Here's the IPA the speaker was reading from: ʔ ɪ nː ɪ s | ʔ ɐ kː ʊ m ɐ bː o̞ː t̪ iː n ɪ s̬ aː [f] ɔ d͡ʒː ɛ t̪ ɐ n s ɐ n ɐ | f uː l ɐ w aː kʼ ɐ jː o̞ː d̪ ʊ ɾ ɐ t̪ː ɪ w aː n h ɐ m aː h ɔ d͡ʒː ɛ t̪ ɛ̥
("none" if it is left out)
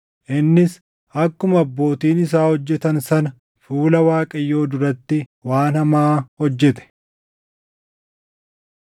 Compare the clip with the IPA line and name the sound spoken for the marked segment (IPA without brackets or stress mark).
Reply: h